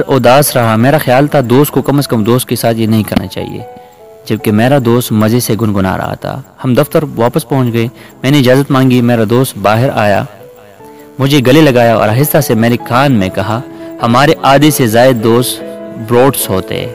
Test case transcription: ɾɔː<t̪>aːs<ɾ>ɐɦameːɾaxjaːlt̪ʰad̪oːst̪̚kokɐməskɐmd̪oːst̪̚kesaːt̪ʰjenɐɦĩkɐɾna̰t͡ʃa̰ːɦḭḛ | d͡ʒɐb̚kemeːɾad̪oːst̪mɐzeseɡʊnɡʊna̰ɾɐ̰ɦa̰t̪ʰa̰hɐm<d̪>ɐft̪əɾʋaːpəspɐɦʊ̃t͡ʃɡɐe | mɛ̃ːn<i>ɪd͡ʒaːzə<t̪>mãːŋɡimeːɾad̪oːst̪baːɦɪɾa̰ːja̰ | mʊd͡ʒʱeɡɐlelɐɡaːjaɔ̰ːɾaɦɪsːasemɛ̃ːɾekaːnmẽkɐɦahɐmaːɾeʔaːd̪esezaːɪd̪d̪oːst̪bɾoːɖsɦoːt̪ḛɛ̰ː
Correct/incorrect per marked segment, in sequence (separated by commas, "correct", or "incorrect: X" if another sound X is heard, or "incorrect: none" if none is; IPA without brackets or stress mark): incorrect: d̪, correct, correct, incorrect: e, correct